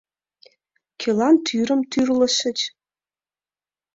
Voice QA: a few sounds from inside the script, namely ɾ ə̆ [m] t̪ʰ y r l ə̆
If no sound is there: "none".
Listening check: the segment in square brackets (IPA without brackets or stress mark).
m